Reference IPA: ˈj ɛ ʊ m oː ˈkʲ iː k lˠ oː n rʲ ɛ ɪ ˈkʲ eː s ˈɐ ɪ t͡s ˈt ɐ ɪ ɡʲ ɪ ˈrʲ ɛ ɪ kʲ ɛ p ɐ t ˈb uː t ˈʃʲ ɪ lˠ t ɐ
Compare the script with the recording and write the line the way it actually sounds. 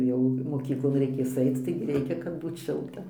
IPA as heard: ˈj ɛ ʊ m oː ˈkʲ iː k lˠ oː n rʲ ɛ ɪ ˈkʲ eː s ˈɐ ɪ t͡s ˈt ɐ ɪ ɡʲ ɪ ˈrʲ ɛ ɪ kʲ ɛ k ɐ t ˈb uː t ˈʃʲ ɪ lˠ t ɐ